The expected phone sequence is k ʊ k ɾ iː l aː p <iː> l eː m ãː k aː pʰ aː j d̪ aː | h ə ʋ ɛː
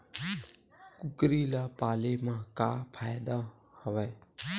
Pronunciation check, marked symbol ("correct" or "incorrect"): incorrect